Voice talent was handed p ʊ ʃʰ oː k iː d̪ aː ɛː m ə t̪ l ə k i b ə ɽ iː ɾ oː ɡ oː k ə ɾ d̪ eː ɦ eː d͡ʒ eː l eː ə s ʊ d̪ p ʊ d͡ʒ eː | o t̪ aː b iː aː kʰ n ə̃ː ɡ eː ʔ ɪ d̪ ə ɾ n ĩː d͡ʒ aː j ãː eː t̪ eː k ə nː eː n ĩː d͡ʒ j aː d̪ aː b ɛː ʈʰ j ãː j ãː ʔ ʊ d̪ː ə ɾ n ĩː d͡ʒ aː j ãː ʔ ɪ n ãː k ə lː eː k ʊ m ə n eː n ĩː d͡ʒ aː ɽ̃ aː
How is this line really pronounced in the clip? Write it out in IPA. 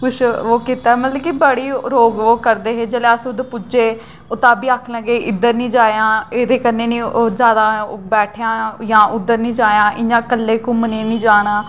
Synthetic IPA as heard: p ʊ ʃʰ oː k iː t̪ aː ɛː m ə t̪ l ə k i b ə ɽ iː ɾ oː ɡ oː k ə ɾ d̪ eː ɦ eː d͡ʒ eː l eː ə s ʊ d̪ p ʊ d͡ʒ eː | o t̪ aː b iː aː kʰ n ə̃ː ɡ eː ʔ ɪ d̪ ə ɾ n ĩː d͡ʒ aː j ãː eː d̪ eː k ə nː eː n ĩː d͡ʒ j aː d̪ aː b ɛː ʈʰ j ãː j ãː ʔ ʊ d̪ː ə ɾ n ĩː d͡ʒ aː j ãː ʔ ɪ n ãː k ə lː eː k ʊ m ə n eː n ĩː d͡ʒ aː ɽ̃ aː